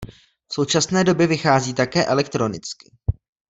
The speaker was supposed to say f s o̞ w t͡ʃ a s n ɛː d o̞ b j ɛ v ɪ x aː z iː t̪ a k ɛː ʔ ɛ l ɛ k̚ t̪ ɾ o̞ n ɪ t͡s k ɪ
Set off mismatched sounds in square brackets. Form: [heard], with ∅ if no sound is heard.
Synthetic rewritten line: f s o̞ w t͡ʃ a s n ɛː d o̞ b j ɛ v ɪ x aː z iː t̪ a k ɛː ʔ ɛ l ɛ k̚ t̪ ɾ o̞ n ɪ t͡s k ɪ

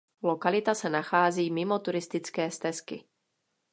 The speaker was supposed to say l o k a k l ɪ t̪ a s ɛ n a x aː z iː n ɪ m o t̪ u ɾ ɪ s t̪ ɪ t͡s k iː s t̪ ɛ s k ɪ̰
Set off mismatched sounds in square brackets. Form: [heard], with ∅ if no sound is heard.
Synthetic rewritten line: l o k a [∅] l ɪ t̪ a s ɛ n a x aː z iː [m] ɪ m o t̪ u ɾ ɪ s t̪ ɪ t͡s k [ɛː] s t̪ ɛ s k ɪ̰

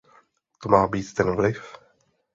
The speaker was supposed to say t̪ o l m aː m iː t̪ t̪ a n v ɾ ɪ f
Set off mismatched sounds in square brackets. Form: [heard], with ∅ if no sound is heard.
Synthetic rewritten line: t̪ o [∅] m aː [b] iː t̪ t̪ [ɛ] n v [l] ɪ f

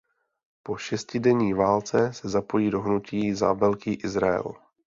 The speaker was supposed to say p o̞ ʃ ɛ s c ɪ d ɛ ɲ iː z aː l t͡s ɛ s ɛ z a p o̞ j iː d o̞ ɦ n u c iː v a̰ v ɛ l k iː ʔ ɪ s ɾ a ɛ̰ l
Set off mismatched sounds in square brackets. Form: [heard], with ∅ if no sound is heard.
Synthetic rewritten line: p o̞ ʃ ɛ s c ɪ d ɛ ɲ iː [v] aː l t͡s ɛ s ɛ z a p o̞ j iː d o̞ ɦ n u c iː [z] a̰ v ɛ l k iː ʔ ɪ [z] ɾ a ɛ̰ l

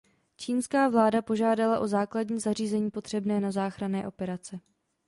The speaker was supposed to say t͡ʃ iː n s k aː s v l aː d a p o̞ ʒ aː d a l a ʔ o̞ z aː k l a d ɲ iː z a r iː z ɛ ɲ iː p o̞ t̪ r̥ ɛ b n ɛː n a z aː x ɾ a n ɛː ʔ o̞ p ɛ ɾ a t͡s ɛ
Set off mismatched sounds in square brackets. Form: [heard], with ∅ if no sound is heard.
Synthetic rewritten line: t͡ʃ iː n s k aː [∅] v l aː d a p o̞ ʒ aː d a l a ʔ o̞ z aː k l a d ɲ iː z a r iː z ɛ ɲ iː p o̞ t̪ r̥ ɛ b n ɛː n a z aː x ɾ a n ɛː ʔ o̞ p ɛ ɾ a t͡s ɛ

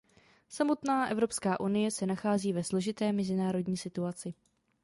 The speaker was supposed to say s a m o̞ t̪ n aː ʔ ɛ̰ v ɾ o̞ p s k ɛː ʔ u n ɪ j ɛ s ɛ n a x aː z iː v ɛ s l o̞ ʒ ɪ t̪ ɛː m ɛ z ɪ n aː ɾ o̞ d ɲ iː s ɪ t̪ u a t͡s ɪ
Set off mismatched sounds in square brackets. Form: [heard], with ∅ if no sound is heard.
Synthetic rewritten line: s a m o̞ t̪ n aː ʔ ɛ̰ v ɾ o̞ p s k [aː] ʔ u n ɪ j ɛ s ɛ n a x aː z iː v ɛ s l o̞ ʒ ɪ t̪ ɛː m ɛ z ɪ n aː ɾ o̞ d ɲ iː s ɪ t̪ u a t͡s ɪ

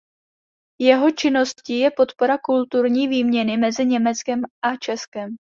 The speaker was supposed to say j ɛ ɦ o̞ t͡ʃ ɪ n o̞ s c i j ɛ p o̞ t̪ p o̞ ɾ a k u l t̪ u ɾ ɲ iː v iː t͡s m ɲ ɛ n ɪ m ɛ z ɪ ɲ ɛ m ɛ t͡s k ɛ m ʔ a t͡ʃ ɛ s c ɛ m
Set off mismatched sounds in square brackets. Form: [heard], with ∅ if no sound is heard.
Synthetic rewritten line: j ɛ ɦ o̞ t͡ʃ ɪ n o̞ s c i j ɛ p o̞ t̪ p o̞ ɾ a k u l t̪ u ɾ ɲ iː v iː [∅] m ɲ ɛ n ɪ m ɛ z ɪ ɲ ɛ m ɛ t͡s k ɛ m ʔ a t͡ʃ ɛ s [k] ɛ m

